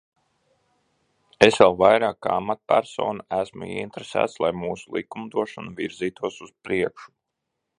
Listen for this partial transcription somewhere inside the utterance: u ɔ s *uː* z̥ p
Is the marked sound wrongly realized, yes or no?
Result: yes